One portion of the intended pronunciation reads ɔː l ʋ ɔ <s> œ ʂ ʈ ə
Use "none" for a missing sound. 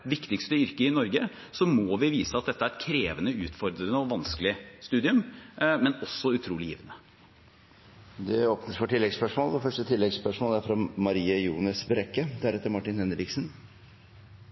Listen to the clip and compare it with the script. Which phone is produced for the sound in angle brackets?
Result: f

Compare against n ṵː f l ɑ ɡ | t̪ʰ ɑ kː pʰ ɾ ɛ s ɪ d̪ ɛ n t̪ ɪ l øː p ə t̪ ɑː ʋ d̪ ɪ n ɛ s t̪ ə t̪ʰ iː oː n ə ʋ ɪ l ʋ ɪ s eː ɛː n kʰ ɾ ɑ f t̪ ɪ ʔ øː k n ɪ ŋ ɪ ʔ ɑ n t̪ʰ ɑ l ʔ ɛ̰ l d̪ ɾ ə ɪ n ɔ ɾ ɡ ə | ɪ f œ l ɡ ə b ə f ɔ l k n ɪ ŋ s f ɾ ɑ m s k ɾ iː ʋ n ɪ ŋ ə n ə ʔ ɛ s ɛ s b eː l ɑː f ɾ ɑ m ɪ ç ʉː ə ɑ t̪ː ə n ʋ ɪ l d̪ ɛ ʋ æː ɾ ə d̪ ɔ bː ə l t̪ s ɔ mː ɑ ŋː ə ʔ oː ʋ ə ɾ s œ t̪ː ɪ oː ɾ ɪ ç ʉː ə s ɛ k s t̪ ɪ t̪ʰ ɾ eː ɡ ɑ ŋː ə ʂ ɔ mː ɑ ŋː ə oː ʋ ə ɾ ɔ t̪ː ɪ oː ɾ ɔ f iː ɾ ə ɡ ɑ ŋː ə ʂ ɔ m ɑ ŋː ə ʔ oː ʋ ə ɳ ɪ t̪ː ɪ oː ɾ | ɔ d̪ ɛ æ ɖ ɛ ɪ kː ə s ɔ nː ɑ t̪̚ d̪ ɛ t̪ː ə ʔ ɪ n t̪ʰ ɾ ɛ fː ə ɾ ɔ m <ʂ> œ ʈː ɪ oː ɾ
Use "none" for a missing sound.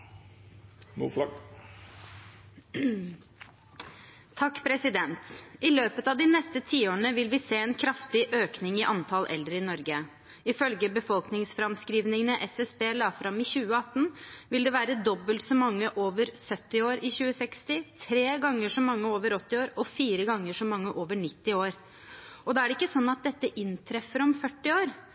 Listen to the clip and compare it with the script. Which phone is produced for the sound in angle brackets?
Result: f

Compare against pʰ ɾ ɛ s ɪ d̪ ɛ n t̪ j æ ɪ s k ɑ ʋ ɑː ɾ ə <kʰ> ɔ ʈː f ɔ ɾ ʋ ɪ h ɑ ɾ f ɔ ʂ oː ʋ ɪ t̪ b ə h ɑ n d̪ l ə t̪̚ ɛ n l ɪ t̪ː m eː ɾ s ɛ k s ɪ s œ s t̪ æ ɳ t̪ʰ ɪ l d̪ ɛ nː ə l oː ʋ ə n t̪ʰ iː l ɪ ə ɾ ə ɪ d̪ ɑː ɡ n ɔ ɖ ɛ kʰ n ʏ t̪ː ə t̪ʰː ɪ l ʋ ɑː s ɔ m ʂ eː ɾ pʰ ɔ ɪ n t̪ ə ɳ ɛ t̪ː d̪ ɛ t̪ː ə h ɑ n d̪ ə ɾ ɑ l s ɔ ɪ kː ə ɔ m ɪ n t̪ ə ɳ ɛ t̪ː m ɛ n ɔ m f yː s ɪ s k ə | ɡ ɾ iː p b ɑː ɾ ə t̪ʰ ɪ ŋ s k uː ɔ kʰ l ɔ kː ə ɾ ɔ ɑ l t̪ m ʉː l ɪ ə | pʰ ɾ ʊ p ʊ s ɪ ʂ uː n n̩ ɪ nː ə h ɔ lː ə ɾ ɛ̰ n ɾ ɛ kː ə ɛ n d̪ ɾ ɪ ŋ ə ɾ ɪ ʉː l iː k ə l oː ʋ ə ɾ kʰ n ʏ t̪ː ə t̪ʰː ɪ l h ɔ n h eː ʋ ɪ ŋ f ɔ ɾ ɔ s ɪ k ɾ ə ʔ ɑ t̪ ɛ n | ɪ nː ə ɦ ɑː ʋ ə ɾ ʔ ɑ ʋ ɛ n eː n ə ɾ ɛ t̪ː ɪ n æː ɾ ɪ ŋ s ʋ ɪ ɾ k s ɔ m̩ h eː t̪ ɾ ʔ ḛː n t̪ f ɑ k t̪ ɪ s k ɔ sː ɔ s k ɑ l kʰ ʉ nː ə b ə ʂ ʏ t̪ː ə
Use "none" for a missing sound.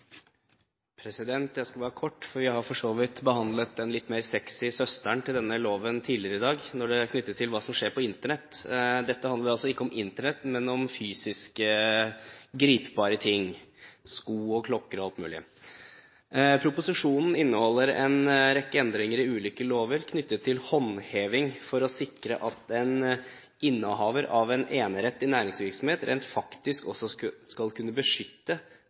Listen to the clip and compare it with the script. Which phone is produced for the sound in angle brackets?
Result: kʰ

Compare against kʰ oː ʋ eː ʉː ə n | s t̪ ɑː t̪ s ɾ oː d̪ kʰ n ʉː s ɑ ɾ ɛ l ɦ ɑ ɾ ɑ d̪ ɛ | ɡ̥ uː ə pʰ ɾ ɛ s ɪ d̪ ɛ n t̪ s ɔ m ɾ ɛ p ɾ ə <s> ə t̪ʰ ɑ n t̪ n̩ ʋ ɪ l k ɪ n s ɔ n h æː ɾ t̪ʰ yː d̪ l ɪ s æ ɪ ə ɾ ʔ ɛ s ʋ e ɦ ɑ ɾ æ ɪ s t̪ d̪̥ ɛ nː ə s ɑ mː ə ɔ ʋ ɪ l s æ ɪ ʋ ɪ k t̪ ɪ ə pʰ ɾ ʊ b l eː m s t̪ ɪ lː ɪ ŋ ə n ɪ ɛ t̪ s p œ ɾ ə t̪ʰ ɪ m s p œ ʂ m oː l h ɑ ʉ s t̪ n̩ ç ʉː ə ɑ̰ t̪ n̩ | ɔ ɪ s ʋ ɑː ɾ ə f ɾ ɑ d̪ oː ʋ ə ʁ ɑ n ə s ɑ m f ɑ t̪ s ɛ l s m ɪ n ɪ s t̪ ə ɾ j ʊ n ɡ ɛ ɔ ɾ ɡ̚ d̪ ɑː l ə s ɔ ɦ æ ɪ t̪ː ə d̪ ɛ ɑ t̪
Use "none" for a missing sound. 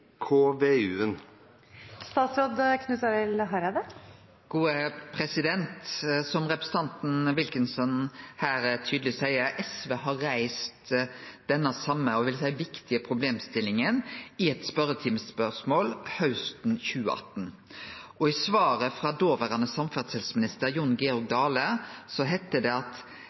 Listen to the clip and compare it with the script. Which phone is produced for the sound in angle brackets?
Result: s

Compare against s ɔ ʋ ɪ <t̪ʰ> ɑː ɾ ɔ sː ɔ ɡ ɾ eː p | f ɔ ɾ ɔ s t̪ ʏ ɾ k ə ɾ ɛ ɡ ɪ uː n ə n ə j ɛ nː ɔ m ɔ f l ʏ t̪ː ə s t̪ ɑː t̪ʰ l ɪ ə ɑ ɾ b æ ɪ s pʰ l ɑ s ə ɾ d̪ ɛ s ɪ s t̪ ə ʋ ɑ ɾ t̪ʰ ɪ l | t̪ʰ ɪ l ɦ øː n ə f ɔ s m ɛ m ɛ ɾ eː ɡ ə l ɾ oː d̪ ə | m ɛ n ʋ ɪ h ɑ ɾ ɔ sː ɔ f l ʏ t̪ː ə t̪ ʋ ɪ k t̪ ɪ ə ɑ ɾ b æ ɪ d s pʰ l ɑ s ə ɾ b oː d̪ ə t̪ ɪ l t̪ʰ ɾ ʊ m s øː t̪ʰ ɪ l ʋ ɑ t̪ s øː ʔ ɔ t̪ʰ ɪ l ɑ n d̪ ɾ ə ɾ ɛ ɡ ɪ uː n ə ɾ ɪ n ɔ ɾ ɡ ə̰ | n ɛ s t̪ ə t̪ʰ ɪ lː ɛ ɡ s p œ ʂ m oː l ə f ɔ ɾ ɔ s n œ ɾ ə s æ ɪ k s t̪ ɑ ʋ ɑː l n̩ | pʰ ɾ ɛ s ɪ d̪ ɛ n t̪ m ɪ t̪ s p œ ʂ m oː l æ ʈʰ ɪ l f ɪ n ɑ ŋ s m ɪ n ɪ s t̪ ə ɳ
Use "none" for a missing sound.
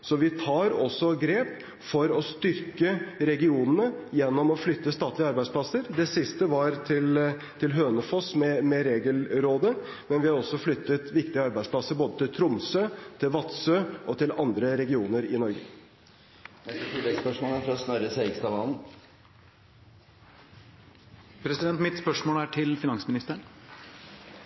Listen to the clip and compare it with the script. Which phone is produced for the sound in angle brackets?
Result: t̪ʰ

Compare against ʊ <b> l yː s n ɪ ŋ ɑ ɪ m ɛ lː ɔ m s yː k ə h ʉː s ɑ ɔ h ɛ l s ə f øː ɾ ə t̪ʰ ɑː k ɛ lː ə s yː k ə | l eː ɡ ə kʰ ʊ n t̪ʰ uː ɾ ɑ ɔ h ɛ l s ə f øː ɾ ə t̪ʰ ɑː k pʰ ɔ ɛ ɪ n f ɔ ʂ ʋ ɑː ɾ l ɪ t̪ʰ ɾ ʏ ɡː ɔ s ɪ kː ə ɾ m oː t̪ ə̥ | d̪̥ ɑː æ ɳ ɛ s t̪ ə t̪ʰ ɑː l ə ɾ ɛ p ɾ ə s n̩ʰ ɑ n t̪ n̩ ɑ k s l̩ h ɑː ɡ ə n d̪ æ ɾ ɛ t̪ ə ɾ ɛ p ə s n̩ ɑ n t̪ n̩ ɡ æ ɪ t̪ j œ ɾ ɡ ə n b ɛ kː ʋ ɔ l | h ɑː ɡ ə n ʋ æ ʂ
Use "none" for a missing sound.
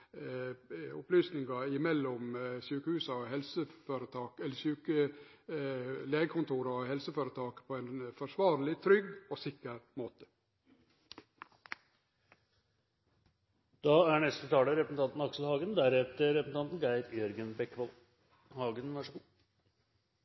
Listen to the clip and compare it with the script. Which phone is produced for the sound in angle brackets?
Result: p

